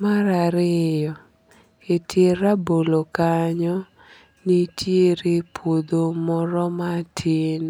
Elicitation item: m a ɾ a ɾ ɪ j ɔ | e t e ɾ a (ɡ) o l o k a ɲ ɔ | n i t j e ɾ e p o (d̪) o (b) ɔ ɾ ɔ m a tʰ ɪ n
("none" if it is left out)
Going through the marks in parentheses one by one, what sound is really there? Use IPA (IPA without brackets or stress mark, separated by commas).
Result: b, d̪, m